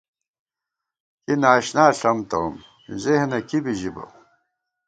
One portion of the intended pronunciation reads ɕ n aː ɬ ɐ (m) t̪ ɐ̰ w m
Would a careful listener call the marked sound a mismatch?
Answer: no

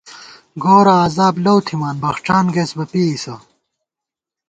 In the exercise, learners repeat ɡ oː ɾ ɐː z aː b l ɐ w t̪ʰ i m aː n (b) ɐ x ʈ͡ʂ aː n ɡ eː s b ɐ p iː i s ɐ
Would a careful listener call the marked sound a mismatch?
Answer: no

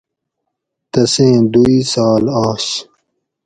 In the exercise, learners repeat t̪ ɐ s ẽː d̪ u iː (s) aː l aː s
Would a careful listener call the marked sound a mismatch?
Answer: no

